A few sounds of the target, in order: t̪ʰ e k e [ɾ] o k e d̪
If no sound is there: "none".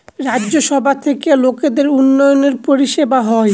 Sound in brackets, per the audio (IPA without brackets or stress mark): l